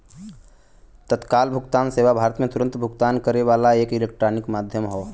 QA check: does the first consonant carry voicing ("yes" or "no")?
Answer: no